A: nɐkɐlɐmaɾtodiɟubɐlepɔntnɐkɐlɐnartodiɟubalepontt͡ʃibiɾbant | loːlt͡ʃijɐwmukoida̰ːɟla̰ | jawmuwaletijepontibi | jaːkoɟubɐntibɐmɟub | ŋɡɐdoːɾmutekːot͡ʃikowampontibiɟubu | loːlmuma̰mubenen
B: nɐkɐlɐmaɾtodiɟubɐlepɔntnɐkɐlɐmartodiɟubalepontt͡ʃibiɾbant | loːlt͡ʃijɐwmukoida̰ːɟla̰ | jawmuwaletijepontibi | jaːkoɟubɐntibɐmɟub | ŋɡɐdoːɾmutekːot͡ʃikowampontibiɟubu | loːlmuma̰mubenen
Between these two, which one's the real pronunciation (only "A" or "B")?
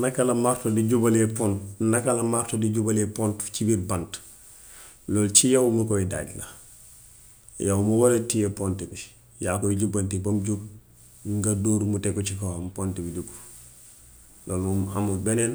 B